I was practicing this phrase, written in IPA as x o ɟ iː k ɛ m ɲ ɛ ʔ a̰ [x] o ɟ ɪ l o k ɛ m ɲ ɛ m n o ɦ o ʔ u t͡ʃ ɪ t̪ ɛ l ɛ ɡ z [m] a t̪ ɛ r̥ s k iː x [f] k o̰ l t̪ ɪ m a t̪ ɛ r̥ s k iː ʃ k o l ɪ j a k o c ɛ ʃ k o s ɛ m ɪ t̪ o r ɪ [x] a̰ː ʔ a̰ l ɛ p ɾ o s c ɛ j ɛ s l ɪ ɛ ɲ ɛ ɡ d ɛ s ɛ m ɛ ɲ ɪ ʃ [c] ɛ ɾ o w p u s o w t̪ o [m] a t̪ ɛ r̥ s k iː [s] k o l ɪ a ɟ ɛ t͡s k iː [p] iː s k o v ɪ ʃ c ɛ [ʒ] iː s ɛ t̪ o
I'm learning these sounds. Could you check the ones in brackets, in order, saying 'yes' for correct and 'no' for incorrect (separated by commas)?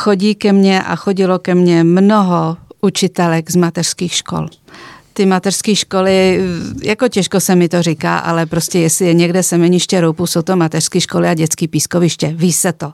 yes, yes, no, no, yes, yes, no, yes, no